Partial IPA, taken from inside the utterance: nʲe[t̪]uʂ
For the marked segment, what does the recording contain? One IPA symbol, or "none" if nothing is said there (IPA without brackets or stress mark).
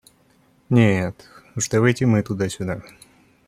t̪